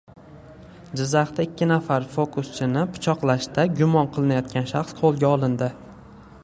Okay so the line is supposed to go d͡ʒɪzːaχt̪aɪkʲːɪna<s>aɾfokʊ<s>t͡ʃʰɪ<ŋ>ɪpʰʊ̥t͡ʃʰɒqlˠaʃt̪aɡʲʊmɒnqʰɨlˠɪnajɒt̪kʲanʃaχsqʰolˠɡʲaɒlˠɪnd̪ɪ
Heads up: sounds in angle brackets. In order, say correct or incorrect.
incorrect, correct, incorrect

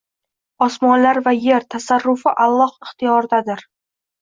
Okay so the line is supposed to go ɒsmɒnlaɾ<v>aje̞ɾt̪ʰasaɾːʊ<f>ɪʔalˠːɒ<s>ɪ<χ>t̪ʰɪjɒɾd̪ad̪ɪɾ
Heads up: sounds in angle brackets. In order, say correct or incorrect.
correct, correct, incorrect, correct

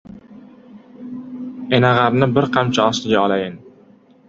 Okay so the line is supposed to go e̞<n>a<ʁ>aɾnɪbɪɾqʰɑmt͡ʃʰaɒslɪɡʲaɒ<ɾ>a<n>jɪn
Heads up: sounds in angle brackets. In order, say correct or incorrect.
correct, correct, incorrect, incorrect

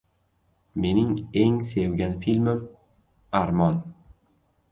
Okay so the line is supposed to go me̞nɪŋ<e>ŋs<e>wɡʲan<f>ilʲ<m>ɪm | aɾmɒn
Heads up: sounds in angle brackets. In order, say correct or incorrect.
correct, correct, correct, correct

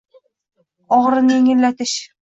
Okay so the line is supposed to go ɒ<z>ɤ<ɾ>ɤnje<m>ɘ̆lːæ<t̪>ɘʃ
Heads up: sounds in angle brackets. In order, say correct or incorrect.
incorrect, correct, incorrect, correct

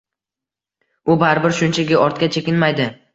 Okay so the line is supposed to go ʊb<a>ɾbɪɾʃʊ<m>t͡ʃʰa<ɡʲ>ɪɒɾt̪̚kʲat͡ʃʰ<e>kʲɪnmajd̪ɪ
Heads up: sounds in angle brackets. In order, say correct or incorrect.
correct, incorrect, correct, correct

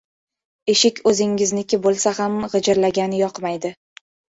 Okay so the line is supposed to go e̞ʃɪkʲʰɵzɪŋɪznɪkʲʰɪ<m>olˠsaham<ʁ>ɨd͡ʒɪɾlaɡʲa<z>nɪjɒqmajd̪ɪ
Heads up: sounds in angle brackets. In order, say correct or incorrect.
incorrect, correct, incorrect

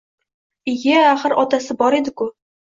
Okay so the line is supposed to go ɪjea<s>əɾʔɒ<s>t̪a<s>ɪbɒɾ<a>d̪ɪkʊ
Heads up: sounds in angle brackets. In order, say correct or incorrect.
incorrect, incorrect, correct, incorrect

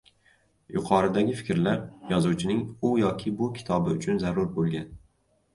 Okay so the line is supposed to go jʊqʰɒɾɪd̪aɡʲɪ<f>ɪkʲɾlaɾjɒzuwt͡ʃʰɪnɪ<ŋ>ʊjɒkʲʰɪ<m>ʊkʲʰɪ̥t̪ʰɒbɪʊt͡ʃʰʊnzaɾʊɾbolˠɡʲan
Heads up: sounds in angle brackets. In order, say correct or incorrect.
correct, correct, incorrect

